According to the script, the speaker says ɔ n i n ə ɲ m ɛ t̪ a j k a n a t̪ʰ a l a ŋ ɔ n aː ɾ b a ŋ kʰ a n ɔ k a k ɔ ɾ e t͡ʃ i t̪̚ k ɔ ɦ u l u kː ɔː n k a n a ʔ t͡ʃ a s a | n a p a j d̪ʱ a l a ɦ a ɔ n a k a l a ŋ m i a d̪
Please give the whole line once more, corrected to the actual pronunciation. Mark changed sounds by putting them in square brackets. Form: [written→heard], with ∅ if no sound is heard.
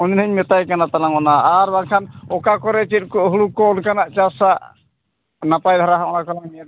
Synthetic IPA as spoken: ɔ n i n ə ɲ m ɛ t̪ a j k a n a [t̪ʰ→t̪] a l a ŋ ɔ n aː ɾ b a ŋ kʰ a n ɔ k a k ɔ ɾ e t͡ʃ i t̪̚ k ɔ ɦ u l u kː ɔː n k a n a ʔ t͡ʃ a s a | n a p a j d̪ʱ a [l→ɾ] a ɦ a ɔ n a k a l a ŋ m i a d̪